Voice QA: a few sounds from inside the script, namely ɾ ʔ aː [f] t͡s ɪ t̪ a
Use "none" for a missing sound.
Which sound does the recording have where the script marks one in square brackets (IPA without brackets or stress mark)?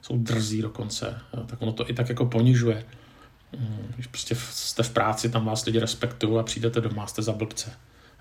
none